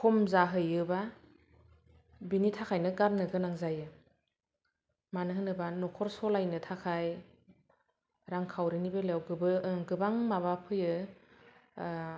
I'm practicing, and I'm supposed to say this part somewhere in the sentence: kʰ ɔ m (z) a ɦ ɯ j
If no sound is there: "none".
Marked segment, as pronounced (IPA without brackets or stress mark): z